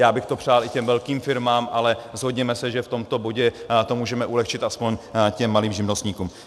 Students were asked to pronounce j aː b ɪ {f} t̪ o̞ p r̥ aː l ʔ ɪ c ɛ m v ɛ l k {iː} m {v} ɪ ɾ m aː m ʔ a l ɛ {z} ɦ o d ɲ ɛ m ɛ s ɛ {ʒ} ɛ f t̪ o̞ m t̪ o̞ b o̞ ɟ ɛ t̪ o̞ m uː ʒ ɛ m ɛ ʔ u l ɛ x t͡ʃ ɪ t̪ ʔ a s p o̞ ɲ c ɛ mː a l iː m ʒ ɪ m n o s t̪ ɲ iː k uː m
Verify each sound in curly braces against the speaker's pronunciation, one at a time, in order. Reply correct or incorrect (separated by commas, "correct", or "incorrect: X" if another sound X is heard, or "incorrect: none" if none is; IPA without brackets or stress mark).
incorrect: x, correct, incorrect: f, correct, correct